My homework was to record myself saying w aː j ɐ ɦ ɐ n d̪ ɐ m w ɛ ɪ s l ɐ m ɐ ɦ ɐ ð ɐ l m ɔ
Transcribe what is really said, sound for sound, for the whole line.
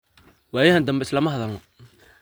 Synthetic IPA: w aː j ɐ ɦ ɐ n d̪ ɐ m b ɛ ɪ s l ɐ m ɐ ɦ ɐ ð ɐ l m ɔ